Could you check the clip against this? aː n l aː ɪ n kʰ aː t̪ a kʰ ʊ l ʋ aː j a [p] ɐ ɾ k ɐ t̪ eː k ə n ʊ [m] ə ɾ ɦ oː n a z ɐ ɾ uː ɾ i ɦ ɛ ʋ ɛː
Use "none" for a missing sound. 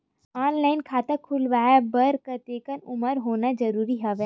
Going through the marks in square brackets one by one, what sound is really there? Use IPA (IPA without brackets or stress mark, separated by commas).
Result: b, m